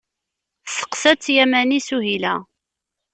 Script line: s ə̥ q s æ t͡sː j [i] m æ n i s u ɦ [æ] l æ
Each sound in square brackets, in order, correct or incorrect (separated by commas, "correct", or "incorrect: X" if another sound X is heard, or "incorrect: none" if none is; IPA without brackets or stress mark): incorrect: æ, incorrect: i